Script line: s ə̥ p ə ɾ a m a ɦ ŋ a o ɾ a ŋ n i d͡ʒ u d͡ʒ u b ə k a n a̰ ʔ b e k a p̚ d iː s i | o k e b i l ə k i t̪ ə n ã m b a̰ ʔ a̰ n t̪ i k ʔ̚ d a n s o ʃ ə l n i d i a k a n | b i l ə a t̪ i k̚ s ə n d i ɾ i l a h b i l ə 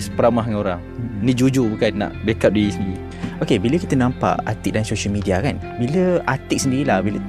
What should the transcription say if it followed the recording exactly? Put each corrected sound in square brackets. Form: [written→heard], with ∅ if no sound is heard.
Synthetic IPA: s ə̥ p ə ɾ a m a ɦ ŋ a o ɾ a ŋ n i d͡ʒ u d͡ʒ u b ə k a n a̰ ʔ b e k a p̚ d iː s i | o k e b i l ə k i t̪ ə n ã m [b→p] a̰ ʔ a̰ [n→∅] t̪ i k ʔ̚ d a n s o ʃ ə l [n→m] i d i a k a n | b i l ə a t̪ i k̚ s ə n d i ɾ i l a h b i l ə